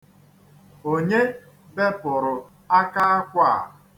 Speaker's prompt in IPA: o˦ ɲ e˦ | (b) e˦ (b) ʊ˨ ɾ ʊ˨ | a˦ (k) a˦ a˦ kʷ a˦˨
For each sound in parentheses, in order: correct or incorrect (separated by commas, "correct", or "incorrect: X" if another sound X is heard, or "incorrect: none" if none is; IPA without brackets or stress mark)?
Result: correct, incorrect: p, correct